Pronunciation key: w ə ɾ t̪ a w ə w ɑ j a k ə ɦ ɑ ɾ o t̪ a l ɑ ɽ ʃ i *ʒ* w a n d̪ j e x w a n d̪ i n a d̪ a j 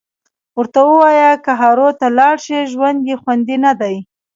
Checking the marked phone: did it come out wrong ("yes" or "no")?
no